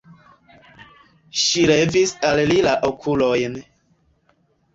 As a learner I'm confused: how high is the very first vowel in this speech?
high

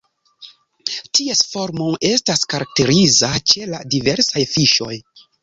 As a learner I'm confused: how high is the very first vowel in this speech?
high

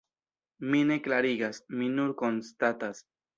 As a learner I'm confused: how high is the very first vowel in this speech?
high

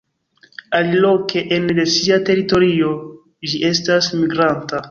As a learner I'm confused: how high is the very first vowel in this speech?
low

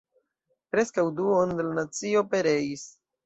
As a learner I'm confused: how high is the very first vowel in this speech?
mid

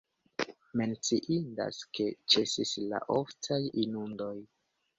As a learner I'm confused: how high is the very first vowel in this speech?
mid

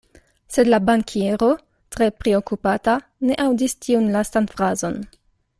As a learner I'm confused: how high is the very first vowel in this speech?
mid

